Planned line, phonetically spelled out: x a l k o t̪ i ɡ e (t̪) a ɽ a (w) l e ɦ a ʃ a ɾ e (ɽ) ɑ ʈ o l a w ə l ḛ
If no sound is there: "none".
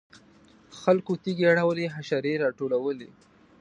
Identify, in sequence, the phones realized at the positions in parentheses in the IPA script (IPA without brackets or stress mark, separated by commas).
none, w, ɾ